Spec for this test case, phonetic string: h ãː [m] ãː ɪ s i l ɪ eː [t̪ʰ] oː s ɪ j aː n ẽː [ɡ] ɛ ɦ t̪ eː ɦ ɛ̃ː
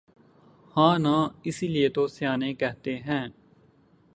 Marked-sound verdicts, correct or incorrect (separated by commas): incorrect, incorrect, incorrect